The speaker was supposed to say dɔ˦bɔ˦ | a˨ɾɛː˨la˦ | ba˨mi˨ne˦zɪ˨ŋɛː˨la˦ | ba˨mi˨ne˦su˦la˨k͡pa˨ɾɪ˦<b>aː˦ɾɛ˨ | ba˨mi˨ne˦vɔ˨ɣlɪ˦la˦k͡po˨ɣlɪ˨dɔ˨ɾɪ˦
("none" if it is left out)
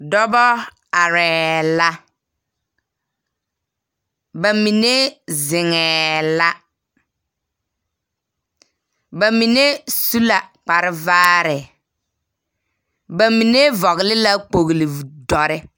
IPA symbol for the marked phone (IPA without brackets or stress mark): v